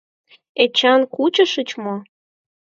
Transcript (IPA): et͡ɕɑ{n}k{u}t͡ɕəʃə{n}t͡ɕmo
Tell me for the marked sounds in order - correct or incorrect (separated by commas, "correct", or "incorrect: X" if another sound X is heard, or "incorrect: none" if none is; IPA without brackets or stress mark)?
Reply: correct, correct, incorrect: none